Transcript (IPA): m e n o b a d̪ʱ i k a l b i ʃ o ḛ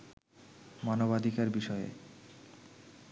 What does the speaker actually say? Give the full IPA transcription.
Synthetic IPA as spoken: m a n o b a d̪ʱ i k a ɾ b i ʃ ɔ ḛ